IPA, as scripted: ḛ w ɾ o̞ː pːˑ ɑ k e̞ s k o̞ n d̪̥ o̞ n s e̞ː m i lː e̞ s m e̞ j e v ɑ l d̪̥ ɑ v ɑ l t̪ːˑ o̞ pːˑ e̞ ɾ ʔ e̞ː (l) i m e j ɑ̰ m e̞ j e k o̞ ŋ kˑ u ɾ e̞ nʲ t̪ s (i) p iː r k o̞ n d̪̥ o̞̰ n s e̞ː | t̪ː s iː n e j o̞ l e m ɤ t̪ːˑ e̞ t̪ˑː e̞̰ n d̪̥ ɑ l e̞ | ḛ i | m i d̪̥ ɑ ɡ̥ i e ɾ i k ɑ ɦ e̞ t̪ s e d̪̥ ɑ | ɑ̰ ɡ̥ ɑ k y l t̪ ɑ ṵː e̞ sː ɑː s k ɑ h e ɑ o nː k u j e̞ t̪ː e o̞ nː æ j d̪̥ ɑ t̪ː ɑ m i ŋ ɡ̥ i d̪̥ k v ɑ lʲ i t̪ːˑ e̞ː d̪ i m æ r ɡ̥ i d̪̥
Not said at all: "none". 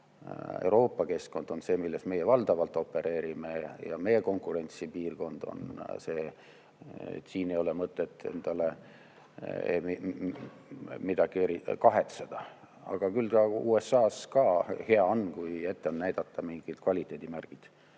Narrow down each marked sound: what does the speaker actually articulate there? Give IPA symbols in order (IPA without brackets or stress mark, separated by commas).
ɾ, i